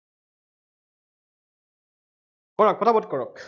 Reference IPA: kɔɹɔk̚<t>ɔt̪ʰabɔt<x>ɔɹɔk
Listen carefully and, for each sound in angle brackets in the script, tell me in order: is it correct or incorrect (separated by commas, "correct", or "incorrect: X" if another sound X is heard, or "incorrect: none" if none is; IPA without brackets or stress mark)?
incorrect: p, incorrect: k